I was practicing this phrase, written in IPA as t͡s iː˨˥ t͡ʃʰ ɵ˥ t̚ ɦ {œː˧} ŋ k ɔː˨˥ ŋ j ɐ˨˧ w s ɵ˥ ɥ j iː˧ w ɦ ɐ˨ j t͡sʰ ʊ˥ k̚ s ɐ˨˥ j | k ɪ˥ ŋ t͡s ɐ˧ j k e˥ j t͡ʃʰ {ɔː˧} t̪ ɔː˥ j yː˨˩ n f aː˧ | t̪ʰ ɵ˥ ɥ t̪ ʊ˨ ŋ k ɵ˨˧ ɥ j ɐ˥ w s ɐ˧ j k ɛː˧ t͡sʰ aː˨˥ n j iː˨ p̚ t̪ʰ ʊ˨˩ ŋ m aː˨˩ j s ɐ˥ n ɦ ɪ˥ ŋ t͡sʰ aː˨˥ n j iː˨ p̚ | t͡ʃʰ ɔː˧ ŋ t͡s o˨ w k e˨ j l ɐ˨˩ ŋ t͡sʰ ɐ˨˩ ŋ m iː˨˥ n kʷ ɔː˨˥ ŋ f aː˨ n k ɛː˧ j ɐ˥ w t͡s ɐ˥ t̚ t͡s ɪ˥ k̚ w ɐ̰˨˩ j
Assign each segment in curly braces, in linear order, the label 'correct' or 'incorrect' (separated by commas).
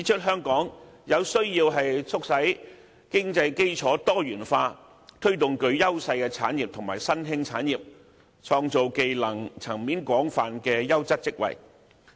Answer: incorrect, incorrect